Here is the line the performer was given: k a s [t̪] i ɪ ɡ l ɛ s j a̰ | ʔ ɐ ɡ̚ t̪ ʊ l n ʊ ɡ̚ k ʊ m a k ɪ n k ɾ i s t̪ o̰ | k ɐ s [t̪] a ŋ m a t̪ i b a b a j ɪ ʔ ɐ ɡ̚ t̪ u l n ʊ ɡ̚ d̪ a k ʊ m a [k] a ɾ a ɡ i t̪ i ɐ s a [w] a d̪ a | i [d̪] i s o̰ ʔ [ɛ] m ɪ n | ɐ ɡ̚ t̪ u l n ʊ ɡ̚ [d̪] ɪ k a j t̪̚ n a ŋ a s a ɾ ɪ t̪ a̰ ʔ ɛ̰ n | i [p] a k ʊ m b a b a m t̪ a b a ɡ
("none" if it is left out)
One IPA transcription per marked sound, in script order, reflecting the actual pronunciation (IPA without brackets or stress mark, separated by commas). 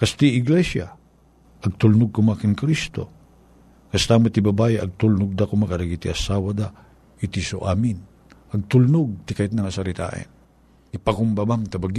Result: t̪, t̪, k, w, t̪, a, t̪, p